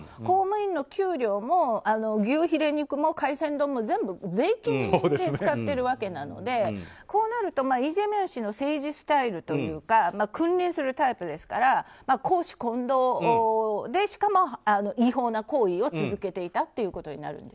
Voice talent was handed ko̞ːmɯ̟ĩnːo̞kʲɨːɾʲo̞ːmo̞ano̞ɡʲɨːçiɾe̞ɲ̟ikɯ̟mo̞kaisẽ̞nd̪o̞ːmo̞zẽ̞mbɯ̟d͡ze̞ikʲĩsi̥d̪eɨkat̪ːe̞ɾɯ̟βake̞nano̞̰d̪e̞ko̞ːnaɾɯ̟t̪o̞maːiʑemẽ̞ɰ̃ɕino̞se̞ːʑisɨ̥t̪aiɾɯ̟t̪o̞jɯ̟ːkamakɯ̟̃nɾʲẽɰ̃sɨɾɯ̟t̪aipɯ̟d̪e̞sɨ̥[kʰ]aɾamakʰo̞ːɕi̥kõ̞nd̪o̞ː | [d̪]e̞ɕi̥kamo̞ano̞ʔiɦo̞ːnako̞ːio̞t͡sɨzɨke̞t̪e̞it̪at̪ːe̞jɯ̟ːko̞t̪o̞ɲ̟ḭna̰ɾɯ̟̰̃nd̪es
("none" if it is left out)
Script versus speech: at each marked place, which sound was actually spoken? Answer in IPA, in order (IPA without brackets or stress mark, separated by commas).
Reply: k, d̪